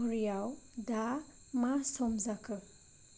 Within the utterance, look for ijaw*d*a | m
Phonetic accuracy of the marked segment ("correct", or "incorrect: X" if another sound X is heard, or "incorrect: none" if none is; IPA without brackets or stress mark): correct